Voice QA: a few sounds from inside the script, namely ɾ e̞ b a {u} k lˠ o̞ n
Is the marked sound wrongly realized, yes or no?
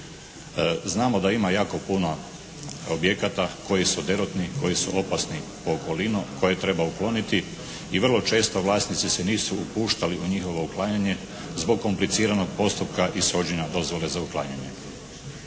no